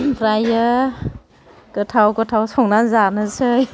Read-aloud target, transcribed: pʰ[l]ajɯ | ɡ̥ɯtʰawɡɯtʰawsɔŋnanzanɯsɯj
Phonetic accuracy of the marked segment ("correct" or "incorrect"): incorrect